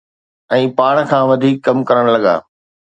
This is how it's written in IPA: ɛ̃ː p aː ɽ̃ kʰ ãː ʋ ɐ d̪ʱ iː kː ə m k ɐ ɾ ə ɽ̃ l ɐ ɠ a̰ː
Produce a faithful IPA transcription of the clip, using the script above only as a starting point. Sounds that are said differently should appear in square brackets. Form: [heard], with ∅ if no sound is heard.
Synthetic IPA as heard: ɛ̃ː p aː ɽ̃ kʰ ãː ʋ ɐ d̪ʱ iː kː [ɐ] m k ɐ ɾ ə ɽ̃ l ɐ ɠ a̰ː